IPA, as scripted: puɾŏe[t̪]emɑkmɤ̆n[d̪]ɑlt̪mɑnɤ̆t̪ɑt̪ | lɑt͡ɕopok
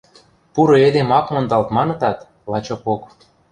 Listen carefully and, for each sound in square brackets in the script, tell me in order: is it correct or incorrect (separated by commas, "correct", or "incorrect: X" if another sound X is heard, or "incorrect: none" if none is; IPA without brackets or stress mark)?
incorrect: d̪, correct